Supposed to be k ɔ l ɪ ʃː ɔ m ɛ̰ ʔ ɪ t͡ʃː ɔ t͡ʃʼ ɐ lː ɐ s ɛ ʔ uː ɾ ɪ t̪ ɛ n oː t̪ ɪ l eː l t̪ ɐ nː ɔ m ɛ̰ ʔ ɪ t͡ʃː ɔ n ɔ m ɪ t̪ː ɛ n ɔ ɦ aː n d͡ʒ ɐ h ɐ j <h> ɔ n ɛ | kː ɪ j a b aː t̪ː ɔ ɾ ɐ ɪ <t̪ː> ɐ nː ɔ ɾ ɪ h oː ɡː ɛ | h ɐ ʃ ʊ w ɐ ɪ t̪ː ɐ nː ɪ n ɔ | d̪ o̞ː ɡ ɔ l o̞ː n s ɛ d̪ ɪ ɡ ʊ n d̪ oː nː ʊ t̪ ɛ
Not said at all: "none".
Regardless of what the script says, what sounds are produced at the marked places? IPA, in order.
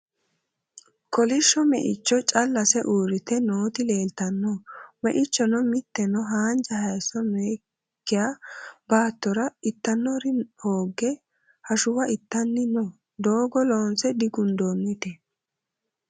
s, t̪ː

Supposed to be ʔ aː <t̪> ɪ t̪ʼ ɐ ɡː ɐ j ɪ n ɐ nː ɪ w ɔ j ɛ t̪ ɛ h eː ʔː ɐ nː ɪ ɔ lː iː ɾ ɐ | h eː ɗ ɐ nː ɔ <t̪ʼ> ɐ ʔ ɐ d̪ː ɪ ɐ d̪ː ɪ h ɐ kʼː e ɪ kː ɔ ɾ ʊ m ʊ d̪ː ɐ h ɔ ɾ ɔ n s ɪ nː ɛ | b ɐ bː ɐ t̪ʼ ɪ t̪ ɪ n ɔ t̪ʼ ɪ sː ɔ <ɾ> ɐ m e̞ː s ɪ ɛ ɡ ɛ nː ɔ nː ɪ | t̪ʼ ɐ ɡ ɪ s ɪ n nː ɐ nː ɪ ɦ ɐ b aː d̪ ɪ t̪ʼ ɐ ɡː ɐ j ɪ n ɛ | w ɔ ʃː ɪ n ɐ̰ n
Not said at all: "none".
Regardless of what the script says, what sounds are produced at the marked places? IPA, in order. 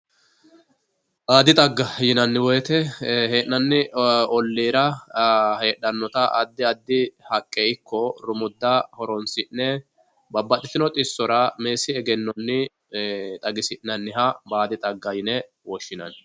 d̪, t̪, ɾ

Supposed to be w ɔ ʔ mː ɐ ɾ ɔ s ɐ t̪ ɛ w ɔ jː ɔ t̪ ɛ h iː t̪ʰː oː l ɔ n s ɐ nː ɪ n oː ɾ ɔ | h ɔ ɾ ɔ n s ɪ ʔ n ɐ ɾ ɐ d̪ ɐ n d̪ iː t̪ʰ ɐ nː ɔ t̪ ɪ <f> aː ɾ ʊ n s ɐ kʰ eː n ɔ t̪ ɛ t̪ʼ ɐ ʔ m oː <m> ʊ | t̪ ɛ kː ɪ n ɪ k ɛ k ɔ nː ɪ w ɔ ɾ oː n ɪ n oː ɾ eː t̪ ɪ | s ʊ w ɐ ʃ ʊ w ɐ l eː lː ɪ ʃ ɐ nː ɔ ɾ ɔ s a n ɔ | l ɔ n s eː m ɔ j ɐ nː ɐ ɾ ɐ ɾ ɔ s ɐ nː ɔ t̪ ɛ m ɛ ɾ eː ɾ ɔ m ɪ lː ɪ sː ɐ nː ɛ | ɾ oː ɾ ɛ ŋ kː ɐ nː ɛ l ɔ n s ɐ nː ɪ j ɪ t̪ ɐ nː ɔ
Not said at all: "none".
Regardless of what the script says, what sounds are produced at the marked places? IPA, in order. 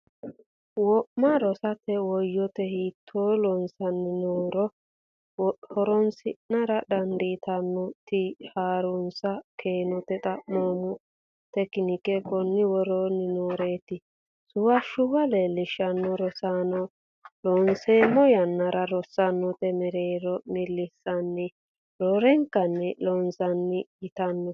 h, m

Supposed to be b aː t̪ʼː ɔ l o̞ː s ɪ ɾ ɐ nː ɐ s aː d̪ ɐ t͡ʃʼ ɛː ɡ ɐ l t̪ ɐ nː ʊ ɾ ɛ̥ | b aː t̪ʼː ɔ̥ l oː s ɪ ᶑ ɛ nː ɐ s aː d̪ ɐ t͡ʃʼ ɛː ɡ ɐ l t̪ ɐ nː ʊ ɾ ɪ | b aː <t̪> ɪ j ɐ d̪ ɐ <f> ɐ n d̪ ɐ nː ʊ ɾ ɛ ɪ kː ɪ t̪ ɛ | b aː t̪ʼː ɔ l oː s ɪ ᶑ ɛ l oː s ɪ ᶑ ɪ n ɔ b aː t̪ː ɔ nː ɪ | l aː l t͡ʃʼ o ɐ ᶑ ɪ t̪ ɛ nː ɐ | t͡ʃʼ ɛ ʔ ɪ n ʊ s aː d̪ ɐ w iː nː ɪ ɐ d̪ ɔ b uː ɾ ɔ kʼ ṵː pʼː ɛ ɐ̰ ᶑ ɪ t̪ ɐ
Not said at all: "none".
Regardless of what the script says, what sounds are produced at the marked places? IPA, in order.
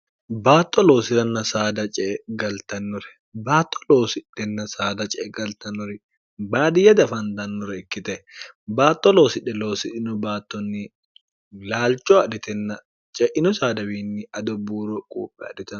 d̪, f

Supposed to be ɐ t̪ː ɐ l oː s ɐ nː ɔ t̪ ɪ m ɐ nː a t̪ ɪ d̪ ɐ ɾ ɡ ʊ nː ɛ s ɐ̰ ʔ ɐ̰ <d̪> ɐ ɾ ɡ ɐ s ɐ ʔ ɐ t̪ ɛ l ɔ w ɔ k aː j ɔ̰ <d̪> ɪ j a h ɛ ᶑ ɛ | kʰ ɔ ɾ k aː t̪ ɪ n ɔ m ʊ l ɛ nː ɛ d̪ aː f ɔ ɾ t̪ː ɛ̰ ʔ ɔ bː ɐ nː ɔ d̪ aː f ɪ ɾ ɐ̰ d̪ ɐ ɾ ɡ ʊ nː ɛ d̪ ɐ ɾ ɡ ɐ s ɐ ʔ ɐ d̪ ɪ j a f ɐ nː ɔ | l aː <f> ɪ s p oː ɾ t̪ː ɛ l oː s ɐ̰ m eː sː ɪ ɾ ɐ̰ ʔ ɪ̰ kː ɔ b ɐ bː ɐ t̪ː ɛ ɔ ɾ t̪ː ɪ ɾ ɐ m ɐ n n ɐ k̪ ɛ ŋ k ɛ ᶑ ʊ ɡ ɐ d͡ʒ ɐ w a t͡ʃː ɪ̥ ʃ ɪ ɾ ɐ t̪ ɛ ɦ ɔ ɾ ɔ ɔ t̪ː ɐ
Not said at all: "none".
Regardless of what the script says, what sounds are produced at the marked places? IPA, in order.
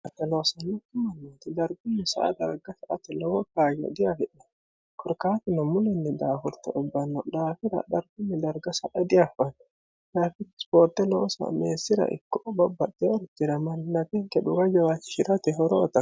d̪, d̪, f

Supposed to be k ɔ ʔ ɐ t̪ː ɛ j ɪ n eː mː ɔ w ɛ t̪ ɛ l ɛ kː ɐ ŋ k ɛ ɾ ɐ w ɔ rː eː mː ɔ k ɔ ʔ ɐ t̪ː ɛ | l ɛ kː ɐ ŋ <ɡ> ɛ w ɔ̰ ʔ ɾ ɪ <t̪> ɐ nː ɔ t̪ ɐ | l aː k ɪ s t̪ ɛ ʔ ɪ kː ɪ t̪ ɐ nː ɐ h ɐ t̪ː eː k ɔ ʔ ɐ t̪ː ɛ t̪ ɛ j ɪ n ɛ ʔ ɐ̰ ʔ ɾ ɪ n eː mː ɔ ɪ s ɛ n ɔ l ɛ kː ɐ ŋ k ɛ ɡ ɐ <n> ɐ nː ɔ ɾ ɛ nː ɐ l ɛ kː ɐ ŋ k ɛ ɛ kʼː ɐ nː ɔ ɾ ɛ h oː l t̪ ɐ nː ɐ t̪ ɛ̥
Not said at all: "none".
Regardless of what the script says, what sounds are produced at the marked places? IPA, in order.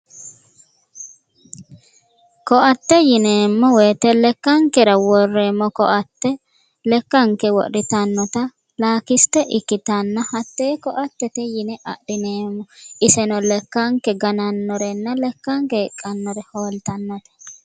k, t̪, n

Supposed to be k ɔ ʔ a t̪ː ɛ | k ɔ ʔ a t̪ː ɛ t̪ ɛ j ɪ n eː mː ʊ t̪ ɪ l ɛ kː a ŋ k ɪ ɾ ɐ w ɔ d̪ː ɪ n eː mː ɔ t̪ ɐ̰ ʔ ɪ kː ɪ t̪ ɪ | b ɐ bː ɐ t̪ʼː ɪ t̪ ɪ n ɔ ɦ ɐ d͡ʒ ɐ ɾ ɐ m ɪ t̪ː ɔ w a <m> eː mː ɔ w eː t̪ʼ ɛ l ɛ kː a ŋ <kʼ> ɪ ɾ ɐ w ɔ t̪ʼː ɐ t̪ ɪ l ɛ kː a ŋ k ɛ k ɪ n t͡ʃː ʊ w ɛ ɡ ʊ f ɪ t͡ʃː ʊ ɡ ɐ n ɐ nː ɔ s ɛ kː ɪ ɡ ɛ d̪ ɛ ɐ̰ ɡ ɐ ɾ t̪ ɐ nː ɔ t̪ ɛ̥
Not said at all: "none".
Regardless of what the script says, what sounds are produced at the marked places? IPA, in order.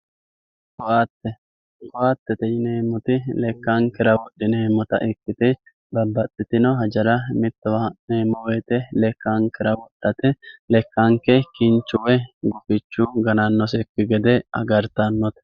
n, k

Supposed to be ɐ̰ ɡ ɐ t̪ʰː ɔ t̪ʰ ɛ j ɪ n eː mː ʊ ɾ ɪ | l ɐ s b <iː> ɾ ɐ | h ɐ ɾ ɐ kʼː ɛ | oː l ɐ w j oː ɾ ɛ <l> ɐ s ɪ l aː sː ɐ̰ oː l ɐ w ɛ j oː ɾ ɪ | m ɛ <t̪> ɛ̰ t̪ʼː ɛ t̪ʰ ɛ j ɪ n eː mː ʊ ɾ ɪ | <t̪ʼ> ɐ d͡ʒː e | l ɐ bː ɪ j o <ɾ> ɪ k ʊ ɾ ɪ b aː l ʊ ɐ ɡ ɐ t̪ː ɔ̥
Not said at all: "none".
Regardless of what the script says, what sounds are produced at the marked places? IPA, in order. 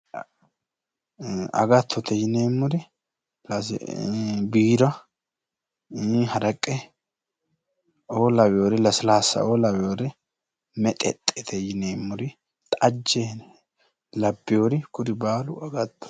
iː, l, t̪ʼ, t̪ʼ, ɾ

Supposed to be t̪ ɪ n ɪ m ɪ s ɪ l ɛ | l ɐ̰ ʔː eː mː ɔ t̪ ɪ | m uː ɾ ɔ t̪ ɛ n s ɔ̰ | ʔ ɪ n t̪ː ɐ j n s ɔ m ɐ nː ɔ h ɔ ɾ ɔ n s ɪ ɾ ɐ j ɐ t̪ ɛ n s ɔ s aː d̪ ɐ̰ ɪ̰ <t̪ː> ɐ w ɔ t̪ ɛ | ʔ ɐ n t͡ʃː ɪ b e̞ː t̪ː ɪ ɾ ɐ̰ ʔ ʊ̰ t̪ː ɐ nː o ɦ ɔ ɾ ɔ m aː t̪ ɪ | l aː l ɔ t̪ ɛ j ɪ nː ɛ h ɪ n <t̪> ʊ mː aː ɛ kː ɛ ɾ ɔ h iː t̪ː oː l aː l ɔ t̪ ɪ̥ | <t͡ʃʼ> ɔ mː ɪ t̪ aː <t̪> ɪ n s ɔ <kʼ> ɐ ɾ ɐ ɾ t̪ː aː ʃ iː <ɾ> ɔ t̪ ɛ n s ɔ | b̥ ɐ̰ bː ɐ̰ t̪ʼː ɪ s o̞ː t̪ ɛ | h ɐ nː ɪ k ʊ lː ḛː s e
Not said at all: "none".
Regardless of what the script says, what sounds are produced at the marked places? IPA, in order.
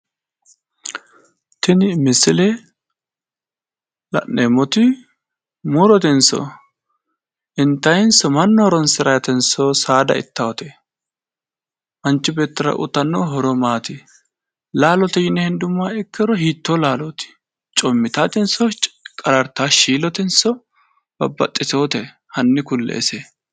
t̪ː, d̪, t͡ʃʼ, t̪, kʼ, l

